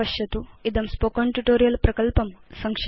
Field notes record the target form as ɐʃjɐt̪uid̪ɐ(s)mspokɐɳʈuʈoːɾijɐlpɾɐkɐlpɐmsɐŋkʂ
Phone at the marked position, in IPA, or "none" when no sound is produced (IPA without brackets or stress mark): none